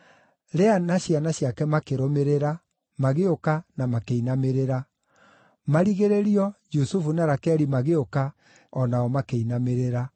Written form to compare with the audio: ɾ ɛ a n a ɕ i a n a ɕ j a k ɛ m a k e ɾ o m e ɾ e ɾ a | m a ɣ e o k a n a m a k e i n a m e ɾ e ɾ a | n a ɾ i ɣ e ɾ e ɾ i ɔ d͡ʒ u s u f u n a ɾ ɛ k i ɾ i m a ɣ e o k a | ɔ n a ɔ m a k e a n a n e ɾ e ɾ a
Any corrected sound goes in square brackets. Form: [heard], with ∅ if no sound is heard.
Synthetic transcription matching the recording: ɾ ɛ a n a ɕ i a n a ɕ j a k ɛ m a k e ɾ o m e ɾ e ɾ a | m a ɣ e o k a n a m a k e i n a m e ɾ e ɾ a | [m] a ɾ i ɣ e ɾ e ɾ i ɔ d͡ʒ u s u f u n a ɾ [a] k [ɛ] ɾ i m a ɣ e o k a | ɔ n a ɔ m a k e [i] n a [m] e ɾ e ɾ a